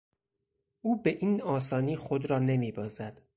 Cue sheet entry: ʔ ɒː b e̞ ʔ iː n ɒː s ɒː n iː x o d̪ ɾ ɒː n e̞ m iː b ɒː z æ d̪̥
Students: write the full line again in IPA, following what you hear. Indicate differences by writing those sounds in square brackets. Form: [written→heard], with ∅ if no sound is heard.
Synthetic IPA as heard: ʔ [ɒː→uː] b e̞ ʔ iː n ɒː s ɒː n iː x o d̪ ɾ ɒː n e̞ m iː b ɒː z æ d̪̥